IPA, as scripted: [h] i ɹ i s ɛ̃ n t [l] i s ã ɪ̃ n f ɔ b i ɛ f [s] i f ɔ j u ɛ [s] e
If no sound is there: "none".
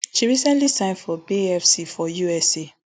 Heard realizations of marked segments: ʃ, l, s, s

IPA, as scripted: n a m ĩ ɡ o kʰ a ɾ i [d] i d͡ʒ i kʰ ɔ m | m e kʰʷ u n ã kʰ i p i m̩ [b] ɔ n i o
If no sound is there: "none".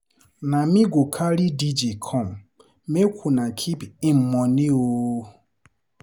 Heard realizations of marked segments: d, m

